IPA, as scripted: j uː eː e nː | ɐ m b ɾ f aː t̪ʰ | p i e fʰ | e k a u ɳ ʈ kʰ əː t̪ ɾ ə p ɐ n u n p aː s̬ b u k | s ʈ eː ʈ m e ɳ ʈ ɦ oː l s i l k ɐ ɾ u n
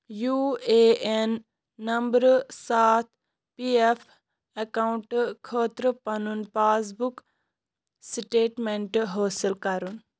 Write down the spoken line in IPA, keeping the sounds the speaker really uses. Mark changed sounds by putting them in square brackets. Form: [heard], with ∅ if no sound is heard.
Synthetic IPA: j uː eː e nː | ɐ m b ɾ [s] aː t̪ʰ | p i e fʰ | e k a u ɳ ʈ kʰ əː t̪ ɾ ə p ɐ n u n p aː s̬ b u k | s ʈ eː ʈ m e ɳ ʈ ɦ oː [∅] s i l k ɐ ɾ u n